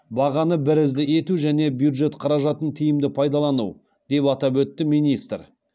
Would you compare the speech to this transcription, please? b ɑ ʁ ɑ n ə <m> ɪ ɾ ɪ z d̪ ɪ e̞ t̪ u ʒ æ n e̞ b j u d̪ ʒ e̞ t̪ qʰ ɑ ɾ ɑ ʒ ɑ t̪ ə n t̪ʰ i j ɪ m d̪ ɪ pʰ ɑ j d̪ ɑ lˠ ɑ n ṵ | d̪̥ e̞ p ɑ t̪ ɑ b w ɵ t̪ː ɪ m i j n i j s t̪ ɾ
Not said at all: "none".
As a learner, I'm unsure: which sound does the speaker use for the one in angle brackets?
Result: b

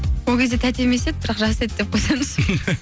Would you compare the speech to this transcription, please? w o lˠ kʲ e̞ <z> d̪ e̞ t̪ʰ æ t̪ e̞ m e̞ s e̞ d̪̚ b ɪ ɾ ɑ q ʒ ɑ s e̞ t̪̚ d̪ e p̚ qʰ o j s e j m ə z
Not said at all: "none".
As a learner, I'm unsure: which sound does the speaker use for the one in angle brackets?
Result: z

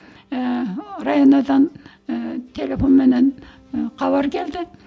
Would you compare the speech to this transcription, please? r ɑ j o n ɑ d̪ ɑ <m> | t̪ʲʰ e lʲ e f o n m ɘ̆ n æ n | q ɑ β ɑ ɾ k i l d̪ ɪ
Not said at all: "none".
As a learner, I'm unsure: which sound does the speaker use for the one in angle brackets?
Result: n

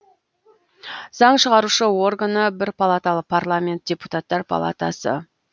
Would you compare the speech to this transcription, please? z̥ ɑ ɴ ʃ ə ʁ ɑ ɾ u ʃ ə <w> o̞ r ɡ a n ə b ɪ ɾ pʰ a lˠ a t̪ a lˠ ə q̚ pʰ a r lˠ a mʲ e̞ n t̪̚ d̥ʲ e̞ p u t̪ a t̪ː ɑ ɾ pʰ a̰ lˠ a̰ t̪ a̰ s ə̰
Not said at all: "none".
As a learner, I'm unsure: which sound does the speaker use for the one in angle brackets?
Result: w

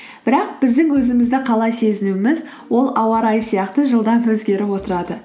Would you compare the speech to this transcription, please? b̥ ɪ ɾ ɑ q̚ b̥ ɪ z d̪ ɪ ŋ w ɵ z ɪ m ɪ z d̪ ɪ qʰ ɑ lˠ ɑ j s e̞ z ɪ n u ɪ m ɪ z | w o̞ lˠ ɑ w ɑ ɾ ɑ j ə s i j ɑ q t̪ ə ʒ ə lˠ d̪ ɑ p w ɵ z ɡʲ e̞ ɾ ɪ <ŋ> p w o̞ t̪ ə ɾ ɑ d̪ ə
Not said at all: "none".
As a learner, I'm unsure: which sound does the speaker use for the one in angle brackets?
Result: none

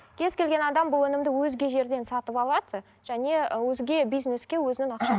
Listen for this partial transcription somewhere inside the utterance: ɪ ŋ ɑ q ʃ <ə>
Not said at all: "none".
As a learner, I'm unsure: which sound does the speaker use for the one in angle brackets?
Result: ɑ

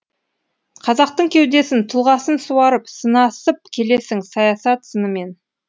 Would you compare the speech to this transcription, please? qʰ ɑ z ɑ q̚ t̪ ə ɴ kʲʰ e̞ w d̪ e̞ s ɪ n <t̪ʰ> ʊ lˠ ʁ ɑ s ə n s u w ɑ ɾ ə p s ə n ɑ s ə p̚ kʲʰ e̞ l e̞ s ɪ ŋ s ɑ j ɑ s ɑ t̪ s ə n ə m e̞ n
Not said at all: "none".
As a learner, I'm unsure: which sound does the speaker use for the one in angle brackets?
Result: t̪ʰ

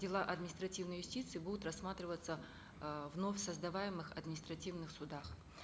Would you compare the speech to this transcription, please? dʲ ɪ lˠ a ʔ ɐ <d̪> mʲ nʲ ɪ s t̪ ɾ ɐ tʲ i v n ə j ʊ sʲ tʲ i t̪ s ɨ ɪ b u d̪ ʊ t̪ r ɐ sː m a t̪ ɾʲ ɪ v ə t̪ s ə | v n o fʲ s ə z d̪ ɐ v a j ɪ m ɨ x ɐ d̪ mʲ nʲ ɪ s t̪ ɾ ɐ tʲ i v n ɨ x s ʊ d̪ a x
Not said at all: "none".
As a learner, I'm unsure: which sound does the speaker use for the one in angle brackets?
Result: d̪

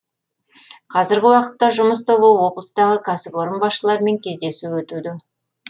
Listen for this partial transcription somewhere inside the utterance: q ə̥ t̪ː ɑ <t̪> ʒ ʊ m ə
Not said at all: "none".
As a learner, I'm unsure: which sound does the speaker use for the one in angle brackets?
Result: none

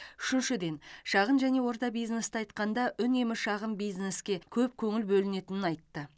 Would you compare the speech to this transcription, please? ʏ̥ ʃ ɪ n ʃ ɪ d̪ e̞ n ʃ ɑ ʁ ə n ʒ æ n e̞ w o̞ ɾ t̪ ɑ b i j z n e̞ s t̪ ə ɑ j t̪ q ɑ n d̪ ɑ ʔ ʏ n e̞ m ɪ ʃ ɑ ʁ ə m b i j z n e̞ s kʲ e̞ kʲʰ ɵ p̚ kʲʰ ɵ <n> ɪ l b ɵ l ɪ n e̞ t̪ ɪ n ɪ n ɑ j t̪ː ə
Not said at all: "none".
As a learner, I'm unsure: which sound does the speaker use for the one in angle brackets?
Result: ŋ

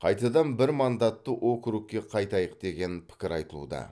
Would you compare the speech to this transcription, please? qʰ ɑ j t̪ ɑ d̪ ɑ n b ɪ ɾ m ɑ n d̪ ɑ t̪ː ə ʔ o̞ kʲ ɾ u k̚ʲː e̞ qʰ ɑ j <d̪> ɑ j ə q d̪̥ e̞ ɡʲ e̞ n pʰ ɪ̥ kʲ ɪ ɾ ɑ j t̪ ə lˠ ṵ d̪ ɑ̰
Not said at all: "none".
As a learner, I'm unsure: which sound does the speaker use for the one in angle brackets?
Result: t̪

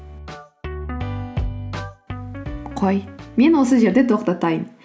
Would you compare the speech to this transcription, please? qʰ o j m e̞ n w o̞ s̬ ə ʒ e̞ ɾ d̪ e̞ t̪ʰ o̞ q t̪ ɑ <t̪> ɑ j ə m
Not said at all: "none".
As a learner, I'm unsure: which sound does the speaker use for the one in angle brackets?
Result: t̪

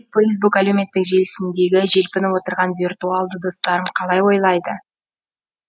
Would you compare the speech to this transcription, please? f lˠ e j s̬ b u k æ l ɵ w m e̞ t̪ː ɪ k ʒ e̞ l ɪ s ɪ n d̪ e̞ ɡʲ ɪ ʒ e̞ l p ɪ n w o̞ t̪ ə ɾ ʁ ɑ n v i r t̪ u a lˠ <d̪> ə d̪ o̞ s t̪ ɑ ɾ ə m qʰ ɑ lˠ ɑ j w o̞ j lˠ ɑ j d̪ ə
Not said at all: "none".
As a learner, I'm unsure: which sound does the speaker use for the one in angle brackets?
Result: d̪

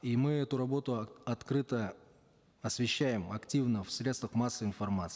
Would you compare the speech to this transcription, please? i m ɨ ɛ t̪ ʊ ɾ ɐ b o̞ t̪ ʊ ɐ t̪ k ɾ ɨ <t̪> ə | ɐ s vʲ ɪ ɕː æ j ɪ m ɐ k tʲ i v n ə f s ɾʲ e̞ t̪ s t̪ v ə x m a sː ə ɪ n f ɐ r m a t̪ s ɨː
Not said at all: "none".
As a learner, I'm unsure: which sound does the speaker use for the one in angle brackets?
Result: t̪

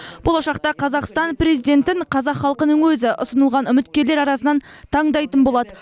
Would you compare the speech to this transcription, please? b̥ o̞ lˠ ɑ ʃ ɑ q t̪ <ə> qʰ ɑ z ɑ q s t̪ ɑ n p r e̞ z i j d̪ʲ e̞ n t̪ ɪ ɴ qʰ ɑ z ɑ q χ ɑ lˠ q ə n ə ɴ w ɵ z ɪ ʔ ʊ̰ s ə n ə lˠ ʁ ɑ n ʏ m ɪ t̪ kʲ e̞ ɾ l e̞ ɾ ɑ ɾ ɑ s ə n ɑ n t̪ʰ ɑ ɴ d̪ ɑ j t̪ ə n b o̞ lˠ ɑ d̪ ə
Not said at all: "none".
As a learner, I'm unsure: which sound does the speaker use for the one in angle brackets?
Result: ɑ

